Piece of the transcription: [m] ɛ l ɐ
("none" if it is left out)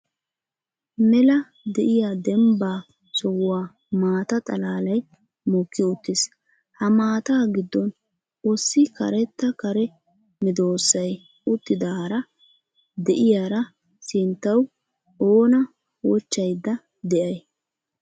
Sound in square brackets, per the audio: m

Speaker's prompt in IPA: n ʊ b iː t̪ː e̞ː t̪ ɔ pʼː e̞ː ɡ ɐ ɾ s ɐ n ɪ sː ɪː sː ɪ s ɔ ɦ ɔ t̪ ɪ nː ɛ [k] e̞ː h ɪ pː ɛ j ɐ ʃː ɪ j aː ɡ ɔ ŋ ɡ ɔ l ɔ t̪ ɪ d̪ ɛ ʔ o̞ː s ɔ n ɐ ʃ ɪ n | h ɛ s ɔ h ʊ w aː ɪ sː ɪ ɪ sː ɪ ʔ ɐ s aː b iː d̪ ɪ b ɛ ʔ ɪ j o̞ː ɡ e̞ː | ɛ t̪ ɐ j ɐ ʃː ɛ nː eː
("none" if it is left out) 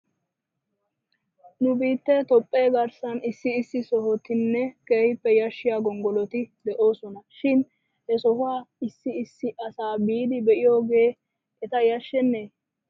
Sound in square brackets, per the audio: k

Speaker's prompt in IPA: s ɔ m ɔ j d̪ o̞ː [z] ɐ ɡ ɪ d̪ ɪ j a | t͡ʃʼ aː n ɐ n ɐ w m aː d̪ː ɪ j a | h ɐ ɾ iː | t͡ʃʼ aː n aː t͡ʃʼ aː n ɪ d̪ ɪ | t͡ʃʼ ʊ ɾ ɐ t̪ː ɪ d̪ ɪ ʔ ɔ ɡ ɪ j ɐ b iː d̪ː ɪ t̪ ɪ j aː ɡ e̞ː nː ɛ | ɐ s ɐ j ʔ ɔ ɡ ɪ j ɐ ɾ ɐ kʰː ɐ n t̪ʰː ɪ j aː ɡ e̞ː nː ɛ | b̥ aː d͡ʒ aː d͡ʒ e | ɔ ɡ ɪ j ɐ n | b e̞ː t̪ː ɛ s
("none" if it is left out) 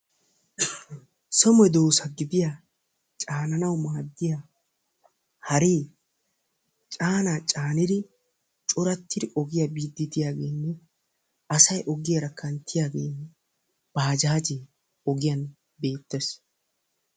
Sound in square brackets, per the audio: s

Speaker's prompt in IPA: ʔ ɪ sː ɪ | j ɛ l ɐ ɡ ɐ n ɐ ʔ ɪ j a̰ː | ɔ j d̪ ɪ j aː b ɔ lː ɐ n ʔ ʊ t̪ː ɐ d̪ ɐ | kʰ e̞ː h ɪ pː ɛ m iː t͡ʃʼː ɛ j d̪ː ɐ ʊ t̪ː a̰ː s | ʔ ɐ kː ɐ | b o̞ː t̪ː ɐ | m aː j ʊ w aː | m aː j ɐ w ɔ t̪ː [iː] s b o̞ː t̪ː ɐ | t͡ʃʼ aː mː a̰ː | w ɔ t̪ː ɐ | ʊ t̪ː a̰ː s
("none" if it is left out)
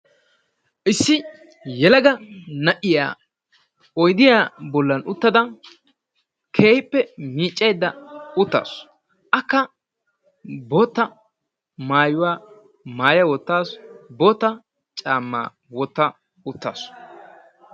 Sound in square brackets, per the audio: aː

